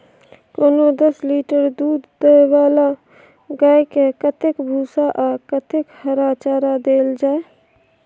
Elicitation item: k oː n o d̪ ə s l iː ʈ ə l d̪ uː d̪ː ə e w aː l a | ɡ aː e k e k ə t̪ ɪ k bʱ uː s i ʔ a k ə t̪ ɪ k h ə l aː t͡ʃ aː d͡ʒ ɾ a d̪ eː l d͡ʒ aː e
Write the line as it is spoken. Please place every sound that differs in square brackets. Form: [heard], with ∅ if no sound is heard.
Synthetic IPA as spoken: k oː n o d̪ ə s l iː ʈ ə [ɾ] d̪ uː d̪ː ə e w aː l a | ɡ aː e k e k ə t̪ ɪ k bʱ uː s [a] ʔ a k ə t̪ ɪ k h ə [ɾ] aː t͡ʃ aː [∅] ɾ a d̪ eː l d͡ʒ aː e